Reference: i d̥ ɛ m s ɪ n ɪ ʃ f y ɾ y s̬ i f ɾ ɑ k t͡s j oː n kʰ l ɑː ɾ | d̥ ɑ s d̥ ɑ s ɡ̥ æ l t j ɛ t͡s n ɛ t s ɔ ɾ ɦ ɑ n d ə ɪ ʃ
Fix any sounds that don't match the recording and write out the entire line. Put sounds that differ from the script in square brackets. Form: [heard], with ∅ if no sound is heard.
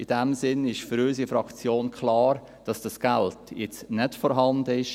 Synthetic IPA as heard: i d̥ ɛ m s ɪ n ɪ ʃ f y ɾ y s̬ i f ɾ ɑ k t͡s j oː n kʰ l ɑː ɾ | d̥ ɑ s d̥ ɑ s ɡ̥ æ l t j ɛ t͡s n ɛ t [f] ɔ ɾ ɦ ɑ n d ə ɪ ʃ